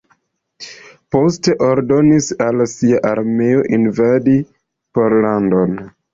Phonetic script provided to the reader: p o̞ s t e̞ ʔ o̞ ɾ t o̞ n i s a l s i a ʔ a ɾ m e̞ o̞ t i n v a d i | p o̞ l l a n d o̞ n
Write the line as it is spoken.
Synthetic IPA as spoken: p o̞ s t e̞ ʔ o̞ ɾ d o̞ n i s a l s i a ʔ a ɾ m e̞ o̞ ʔ i n v a d i | p o̞ ɾ l a n d o̞ n